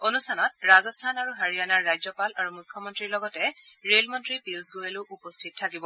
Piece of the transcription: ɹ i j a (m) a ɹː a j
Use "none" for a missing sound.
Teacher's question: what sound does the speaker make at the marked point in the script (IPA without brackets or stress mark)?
n